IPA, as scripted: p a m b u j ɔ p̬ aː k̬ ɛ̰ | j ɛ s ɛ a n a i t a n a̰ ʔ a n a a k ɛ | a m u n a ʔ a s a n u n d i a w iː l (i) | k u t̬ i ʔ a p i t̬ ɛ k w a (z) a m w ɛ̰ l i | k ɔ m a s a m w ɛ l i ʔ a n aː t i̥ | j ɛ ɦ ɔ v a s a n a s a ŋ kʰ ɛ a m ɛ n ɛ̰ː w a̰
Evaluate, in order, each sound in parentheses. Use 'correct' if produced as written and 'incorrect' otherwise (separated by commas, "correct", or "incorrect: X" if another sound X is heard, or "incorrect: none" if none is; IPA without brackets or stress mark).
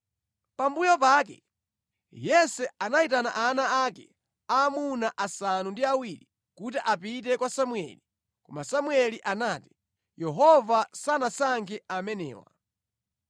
correct, incorrect: s